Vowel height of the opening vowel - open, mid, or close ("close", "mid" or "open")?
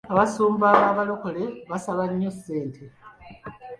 open